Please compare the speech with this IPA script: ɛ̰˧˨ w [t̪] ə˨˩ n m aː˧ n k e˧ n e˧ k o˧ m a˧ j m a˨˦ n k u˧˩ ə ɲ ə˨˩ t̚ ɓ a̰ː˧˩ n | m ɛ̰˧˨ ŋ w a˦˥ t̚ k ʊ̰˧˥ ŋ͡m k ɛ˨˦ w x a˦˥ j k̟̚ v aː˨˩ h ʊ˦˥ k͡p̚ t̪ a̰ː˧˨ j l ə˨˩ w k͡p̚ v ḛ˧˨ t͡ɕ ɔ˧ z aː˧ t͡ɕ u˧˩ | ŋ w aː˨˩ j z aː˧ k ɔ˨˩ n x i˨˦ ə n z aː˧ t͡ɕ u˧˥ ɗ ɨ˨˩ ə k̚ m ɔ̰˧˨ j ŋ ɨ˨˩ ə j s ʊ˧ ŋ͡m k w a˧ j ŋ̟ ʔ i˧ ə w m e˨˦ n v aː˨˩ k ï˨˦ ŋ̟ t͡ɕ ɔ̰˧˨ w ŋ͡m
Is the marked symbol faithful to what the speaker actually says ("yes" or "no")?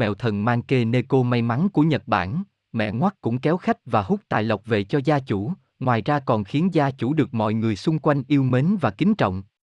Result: no